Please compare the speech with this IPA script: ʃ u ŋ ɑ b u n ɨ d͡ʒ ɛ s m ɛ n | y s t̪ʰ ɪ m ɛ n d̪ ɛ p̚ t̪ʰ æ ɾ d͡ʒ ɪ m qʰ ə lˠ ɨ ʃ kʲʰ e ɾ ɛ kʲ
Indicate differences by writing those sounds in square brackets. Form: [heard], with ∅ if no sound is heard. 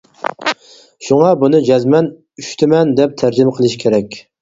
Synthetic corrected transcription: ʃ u ŋ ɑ b u n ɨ d͡ʒ ɛ [z] m ɛ n | y [ʃ] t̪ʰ ɪ m ɛ n d̪ ɛ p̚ t̪ʰ æ ɾ d͡ʒ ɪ m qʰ ə lˠ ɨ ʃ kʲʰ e ɾ ɛ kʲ

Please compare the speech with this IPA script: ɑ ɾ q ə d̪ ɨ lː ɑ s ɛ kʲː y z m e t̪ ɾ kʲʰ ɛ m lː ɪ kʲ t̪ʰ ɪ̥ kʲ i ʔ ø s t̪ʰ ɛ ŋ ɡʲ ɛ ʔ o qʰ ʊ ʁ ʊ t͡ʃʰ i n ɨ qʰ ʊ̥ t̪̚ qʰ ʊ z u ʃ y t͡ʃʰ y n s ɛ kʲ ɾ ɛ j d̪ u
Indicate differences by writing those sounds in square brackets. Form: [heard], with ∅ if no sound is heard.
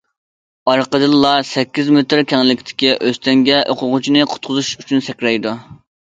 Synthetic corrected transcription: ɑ ɾ q ə d̪ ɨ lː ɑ s ɛ kʲː [i] z m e t̪ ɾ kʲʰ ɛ [ŋ] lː ɪ kʲ t̪ʰ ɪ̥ kʲ i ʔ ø s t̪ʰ ɛ ŋ ɡʲ ɛ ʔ o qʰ ʊ ʁ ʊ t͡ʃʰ i n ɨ qʰ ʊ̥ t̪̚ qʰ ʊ z u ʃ y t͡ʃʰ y n s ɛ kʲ ɾ ɛ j d̪ u

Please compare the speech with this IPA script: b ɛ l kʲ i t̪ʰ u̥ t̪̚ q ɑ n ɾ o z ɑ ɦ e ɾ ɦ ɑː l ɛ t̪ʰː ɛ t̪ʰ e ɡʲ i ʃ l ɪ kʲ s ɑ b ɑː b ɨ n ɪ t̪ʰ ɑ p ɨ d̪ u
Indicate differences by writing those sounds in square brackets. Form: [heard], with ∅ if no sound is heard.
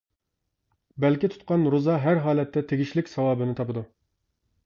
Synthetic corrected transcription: b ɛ l kʲ i t̪ʰ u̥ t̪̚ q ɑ n ɾ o z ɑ ɦ [æ] ɾ ɦ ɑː l ɛ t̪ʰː ɛ t̪ʰ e ɡʲ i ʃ l ɪ kʲ s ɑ [w] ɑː b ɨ n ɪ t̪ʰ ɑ p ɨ d̪ u

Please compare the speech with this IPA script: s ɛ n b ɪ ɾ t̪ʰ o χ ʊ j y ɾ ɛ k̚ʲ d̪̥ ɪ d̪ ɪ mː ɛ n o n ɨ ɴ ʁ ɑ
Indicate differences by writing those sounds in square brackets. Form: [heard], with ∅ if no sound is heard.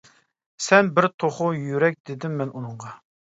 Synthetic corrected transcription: s ɛ n b ɪ ɾ t̪ʰ o χ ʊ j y ɾ ɛ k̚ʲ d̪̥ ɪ d̪ ɪ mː ɛ n [u] n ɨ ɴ ʁ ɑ

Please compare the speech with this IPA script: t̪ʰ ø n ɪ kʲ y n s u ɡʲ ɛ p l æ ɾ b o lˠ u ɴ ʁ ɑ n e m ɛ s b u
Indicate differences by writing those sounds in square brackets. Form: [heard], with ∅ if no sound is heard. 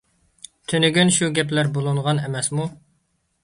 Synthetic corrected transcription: t̪ʰ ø n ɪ [ɡʲ] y n [ʃ] u ɡʲ ɛ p l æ ɾ b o lˠ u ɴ ʁ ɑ n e m ɛ s [m] u

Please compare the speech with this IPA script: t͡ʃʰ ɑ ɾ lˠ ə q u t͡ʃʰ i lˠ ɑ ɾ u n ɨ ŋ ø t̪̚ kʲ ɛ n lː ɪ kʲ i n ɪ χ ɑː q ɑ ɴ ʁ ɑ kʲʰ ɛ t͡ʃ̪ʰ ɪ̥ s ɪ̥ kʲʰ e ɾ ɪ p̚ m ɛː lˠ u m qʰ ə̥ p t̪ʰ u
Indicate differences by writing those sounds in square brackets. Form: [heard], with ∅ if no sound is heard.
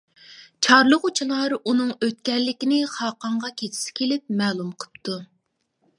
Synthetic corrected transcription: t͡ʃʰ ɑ ɾ lˠ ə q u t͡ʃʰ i lˠ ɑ ɾ u n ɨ ŋ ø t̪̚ kʲ ɛ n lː ɪ kʲ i n ɪ χ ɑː q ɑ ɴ ʁ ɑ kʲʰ [e] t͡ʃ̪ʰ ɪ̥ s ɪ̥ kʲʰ e [l] ɪ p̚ m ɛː lˠ u m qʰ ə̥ p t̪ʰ u

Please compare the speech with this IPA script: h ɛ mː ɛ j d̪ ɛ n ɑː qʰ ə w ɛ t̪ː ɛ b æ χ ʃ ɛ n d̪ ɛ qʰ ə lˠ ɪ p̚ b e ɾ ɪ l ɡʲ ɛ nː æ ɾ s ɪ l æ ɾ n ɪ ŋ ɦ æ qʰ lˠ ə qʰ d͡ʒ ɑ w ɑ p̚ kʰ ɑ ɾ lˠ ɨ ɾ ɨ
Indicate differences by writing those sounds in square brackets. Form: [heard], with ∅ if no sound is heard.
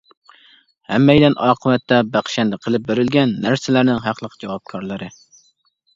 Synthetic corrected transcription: h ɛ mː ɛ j d̪ ɛ n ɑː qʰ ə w ɛ t̪ː ɛ b æ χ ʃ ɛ n d̪ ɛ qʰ ə lˠ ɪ p̚ b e ɾ ɪ l ɡʲ ɛ nː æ ɾ s ɪ l æ ɾ n ɪ ŋ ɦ æ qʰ lˠ ə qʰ d͡ʒ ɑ w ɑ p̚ kʰ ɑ ɾ lˠ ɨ ɾ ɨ

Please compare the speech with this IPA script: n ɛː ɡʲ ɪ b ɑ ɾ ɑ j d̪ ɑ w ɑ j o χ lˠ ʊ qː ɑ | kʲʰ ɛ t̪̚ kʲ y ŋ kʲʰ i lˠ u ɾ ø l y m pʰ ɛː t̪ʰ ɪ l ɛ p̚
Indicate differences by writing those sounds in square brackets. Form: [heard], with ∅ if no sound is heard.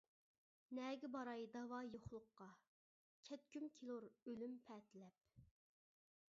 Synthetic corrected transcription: n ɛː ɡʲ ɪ b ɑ ɾ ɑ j d̪ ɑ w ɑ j o χ lˠ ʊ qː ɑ | kʲʰ ɛ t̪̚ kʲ y [m] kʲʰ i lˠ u ɾ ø l y m pʰ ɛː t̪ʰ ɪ l ɛ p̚

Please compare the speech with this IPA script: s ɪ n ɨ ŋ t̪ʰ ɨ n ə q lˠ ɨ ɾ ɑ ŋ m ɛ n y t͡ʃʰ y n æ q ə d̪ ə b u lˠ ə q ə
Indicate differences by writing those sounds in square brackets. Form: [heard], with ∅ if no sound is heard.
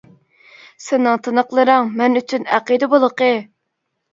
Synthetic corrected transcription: s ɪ n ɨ ŋ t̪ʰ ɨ n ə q lˠ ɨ ɾ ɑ ŋ m ɛ n y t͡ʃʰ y n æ q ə d̪ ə b [o] lˠ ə q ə

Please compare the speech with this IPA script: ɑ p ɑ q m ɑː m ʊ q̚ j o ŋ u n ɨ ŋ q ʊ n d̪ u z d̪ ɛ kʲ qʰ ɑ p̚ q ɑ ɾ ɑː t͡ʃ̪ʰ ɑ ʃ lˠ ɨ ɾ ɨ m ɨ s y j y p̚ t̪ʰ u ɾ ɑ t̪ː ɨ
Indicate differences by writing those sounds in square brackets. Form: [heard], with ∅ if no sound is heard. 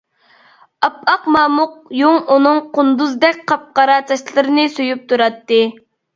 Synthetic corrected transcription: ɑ p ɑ q m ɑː m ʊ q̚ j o ŋ u n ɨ ŋ q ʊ n d̪ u z d̪ ɛ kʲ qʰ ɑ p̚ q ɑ ɾ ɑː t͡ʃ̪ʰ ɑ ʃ lˠ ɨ ɾ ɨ [n] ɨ s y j y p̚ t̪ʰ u ɾ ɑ t̪ː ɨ

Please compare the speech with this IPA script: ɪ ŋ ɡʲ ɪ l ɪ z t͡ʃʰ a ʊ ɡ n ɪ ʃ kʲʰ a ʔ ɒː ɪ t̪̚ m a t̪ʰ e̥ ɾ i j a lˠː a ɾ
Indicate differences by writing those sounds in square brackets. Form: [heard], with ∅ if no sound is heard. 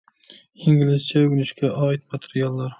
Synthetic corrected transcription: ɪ ŋ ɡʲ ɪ l ɪ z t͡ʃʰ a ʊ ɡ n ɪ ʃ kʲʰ a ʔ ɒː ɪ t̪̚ m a t̪ʰ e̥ ɾ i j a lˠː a ɾ

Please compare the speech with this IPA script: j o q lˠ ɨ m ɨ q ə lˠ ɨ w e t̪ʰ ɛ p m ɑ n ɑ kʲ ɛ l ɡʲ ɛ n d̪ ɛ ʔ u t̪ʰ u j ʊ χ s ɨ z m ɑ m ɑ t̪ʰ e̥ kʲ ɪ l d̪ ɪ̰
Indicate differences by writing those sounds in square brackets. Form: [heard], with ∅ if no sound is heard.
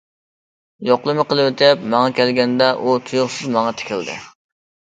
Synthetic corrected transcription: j o q lˠ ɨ m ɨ q ə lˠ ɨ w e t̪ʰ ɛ p m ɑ [ŋ] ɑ kʲ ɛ l ɡʲ ɛ n d̪ ɛ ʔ u t̪ʰ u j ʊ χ s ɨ z m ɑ [ŋ] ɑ t̪ʰ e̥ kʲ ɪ l d̪ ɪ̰

